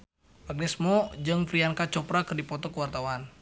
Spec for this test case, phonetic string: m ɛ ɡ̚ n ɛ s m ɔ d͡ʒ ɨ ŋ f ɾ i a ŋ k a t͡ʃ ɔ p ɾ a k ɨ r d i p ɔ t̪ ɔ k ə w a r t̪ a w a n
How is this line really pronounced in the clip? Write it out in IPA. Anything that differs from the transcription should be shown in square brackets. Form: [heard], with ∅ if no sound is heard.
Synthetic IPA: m [a] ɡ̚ n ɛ s m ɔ d͡ʒ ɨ ŋ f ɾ i a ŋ k a t͡ʃ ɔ p ɾ a k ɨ r d i p ɔ t̪ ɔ k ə w a r t̪ a w a n